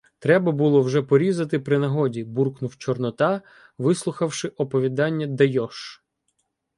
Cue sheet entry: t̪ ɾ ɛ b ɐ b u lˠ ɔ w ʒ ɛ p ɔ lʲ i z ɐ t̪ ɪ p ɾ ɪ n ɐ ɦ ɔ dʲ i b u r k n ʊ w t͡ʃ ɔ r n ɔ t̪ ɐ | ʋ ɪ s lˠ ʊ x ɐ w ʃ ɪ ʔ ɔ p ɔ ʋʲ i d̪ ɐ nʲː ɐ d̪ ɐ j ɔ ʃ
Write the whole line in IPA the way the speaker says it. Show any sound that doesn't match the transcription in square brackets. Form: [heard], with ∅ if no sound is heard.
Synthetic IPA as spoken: t̪ ɾ ɛ b ɐ b u lˠ ɔ w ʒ ɛ p ɔ [ɾʲ] i z ɐ t̪ ɪ p ɾ ɪ n ɐ ɦ ɔ dʲ i b u r k n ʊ w t͡ʃ ɔ r n ɔ t̪ [ɑ] | ʋ ɪ s lˠ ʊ x ɐ w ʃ ɪ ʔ ɔ p ɔ ʋʲ i d̪ [ɑ] nʲː ɐ d̪ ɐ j ɔ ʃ